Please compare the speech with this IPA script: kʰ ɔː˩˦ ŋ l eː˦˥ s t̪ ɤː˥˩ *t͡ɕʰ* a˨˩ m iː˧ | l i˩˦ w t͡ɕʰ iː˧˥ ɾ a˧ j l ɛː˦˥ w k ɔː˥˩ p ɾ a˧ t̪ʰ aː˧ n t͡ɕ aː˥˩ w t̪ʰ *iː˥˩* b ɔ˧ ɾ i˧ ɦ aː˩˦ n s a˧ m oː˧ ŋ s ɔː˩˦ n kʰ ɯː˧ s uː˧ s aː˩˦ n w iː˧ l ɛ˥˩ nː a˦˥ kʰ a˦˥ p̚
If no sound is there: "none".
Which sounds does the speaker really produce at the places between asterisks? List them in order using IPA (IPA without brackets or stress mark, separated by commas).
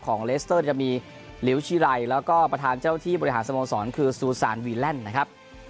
t͡ɕ, iː˥˩